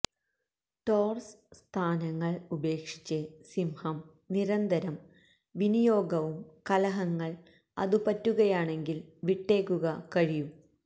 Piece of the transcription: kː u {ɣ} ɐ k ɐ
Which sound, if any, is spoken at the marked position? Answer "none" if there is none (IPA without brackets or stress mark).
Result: ɣ